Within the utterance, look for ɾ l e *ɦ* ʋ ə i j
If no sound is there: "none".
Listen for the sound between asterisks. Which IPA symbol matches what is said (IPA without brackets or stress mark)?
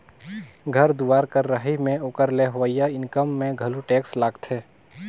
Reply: ɦ